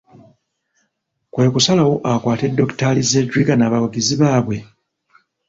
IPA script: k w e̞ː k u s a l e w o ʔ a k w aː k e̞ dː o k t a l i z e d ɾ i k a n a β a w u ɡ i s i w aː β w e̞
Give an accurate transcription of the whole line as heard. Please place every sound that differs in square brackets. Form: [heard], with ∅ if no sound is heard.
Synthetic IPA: k w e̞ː k u s a l [a] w o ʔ a k w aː [t] e̞ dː o k t a l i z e d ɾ i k a n a β a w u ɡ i [z] i [β] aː β w e̞